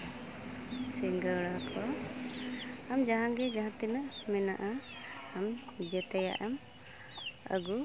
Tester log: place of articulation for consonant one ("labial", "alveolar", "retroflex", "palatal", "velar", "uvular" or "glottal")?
alveolar